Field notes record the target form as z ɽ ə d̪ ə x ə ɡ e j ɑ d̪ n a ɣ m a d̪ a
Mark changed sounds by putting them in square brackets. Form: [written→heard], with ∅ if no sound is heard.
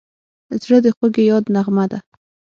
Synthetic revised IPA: z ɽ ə d̪ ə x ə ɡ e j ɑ d̪ n a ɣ m a d̪ a